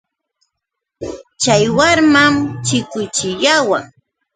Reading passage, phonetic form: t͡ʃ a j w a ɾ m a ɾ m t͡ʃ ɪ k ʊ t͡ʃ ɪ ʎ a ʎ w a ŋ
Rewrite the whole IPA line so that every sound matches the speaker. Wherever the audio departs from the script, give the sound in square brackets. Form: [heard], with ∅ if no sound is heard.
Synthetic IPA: t͡ʃ a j w a ɾ m a [∅] m t͡ʃ ɪ k ʊ t͡ʃ ɪ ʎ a [∅] w a ŋ